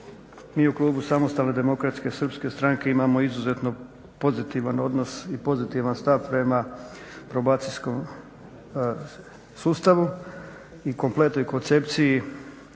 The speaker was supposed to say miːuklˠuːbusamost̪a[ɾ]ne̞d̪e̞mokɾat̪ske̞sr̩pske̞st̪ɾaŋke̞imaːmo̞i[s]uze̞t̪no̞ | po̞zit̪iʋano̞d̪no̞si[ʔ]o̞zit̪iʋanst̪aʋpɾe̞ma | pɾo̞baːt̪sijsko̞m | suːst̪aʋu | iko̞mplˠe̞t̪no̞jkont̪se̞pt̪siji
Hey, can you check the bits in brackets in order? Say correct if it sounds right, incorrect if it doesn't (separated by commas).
incorrect, incorrect, incorrect